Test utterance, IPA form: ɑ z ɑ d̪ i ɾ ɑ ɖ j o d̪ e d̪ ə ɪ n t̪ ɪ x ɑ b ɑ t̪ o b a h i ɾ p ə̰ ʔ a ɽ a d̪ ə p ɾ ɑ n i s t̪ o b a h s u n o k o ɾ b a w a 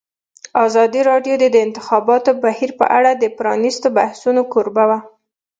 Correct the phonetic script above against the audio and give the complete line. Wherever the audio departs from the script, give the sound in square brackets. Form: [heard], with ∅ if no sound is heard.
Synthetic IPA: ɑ z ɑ d̪ i ɾ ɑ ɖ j o d̪ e d̪ ə ɪ n t̪ ɪ x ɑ b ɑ t̪ o b a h i ɾ p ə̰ ʔ a ɽ a d̪ ə p ɾ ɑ n i s t̪ o b a h s u n o k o ɾ b a w a